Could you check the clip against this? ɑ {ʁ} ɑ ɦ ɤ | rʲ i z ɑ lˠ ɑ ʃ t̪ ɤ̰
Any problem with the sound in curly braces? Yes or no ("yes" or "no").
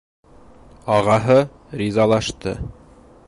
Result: no